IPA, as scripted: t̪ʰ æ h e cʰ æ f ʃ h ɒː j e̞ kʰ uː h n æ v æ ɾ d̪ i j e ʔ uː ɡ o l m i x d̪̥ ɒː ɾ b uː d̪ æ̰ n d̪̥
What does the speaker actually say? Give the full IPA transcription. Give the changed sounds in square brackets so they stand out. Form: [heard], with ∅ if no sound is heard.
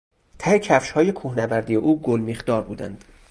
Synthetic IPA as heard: t̪ʰ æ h e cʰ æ f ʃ h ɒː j e̞ kʰ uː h n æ v æ ɾ d̪ i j e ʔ uː ɡ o l m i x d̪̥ ɒː ɾ b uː d̪ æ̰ n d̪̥